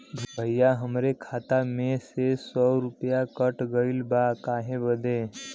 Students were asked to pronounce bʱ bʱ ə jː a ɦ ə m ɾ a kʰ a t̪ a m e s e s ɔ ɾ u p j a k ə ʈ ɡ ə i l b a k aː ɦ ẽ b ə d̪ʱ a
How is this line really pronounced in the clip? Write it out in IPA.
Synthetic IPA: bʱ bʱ ə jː a ɦ ə m ɾ e kʰ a t̪ a m e s e s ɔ ɾ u p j a k ə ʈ ɡ ə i l b a k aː ɦ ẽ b ə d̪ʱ e